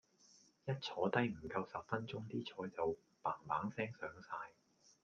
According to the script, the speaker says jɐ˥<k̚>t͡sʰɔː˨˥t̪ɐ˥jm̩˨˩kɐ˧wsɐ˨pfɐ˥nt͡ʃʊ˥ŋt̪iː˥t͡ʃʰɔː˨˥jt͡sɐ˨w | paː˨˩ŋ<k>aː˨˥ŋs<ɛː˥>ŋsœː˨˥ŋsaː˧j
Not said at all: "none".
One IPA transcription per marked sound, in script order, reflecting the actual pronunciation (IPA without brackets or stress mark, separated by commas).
t̚, p, ɛː˥